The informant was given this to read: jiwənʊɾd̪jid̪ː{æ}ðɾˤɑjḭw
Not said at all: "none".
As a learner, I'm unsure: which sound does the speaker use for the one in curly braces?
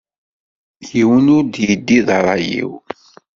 i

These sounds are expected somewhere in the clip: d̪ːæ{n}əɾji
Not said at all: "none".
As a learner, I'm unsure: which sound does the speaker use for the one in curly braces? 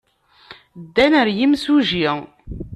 n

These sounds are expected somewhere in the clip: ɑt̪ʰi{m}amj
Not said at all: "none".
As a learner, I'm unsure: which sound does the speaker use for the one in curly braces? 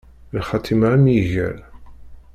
m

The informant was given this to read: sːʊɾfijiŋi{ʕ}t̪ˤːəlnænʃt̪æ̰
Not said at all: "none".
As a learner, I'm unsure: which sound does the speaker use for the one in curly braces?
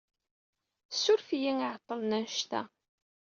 ʕ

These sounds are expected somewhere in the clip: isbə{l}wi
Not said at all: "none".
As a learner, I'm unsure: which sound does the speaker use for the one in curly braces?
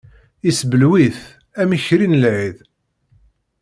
l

